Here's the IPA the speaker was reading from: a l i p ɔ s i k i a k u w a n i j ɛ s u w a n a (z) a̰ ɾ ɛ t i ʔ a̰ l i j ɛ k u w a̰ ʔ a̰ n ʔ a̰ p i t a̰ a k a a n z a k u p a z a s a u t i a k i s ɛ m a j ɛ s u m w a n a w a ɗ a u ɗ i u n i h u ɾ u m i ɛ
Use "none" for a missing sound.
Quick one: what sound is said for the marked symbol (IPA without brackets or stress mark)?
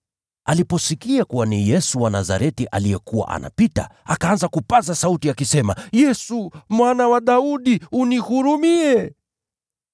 z